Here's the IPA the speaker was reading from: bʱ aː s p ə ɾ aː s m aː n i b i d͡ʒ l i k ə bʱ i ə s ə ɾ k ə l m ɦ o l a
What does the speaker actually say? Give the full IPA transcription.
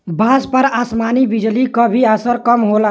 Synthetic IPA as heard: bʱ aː s p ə ɾ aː s m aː n i b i d͡ʒ l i k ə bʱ i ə s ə ɾ k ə m ɦ o l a